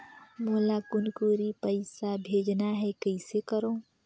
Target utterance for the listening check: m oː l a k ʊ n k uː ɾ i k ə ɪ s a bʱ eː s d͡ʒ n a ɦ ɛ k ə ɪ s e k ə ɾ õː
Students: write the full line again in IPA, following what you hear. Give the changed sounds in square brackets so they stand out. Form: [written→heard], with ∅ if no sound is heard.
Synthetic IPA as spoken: m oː l a k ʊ n k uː ɾ i [k→p] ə ɪ s a bʱ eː [s→∅] d͡ʒ n a ɦ ɛ k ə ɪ s e k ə ɾ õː